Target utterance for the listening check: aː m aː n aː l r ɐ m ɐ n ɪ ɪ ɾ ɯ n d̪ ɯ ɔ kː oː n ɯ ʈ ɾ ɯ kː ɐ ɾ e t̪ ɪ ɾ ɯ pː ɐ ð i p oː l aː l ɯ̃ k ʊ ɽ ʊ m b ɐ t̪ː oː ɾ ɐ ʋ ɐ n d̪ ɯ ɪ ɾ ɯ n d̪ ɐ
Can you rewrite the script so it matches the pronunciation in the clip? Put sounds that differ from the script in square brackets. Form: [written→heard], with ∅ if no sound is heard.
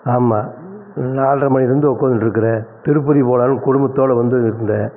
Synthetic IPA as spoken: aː m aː n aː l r ɐ m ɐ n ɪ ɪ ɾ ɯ n d̪ ɯ ɔ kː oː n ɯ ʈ ɾ ɯ kː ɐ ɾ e t̪ ɪ ɾ ɯ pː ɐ ð i p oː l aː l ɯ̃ k ʊ ɽ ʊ m b ɐ t̪ː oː [ɾ→ɽ] ɐ ʋ ɐ n d̪ ɯ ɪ ɾ ɯ n d̪ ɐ

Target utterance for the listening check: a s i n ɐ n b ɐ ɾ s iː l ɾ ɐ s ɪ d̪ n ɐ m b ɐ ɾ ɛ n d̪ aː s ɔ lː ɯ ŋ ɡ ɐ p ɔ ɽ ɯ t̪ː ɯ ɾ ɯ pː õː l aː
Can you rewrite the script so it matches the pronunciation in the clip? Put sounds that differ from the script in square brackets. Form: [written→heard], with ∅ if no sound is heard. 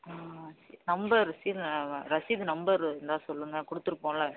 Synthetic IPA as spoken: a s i n ɐ [n→m] b ɐ ɾ s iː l ɾ ɐ s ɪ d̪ n ɐ m b ɐ ɾ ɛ n d̪ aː s ɔ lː ɯ ŋ ɡ ɐ [p→k] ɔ ɽ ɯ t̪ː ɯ ɾ ɯ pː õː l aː

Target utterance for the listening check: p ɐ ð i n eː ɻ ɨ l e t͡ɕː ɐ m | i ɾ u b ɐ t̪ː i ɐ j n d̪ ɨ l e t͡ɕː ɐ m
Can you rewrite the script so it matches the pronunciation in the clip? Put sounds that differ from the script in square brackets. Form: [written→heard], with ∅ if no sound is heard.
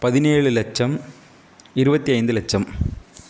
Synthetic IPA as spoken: p ɐ ð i n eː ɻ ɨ l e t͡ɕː ɐ m | i ɾ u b ɐ t̪ː i ɐ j n d̪ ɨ l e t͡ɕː ɐ m

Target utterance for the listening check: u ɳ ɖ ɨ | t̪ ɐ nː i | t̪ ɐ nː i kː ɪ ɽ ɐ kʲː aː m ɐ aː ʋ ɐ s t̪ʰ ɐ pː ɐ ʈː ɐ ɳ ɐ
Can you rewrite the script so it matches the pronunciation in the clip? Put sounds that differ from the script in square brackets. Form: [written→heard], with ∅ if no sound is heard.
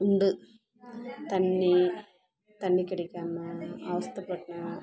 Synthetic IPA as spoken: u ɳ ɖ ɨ | t̪ ɐ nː i | t̪ ɐ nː i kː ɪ ɽ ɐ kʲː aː m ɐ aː ʋ ɐ s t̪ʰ ɐ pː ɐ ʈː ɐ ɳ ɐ

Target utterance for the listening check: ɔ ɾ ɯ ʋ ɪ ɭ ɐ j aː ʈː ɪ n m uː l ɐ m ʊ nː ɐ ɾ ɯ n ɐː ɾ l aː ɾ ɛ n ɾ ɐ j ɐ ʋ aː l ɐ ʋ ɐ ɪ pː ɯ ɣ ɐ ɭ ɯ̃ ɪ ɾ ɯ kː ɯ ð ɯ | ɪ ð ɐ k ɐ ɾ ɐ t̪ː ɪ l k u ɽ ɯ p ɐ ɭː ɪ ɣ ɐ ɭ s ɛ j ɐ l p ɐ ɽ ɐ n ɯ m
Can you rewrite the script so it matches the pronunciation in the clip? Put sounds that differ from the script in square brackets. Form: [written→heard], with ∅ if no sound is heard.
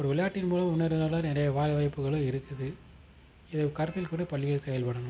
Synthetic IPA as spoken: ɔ ɾ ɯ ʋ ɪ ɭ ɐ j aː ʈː ɪ n m uː l ɐ m ʊ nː ɐ ɾ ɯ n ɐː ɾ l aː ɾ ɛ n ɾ ɐ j ɐ ʋ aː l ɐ ʋ ɐ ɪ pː ɯ ɣ ɐ ɭ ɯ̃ ɪ ɾ ɯ kː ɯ ð ɯ | ɪ ð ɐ k ɐ ɾ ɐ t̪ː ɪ l k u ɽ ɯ p ɐ ɭː ɪ ɣ ɐ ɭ s ɛ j ɐ l p ɐ ɽ ɐ n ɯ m

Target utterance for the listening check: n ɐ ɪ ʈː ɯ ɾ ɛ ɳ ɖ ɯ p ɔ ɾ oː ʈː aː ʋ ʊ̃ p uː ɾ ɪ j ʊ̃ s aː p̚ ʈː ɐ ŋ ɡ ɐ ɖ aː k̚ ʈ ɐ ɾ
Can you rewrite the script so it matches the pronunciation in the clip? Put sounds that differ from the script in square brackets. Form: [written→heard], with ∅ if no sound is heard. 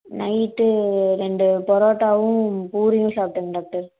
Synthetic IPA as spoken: n ɐ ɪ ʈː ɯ ɾ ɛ ɳ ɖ ɯ p ɔ ɾ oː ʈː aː ʋ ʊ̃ p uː ɾ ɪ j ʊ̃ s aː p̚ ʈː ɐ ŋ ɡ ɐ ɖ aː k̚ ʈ ɐ ɾ

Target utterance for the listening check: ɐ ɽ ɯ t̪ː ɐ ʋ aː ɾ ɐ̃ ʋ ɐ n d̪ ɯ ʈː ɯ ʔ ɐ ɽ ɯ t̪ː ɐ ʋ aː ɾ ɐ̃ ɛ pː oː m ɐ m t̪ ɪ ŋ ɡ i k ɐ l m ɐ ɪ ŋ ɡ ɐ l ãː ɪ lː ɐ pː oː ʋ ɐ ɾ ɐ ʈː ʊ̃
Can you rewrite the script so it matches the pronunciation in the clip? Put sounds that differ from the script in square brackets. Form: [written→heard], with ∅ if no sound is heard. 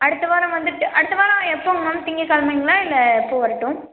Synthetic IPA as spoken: ɐ ɽ ɯ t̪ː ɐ ʋ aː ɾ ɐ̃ ʋ ɐ n d̪ ɯ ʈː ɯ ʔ ɐ ɽ ɯ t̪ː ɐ ʋ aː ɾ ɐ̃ ɛ pː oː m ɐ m t̪ ɪ ŋ ɡ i k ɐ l m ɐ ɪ ŋ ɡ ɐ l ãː ɪ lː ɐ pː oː ʋ ɐ ɾ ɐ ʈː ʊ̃

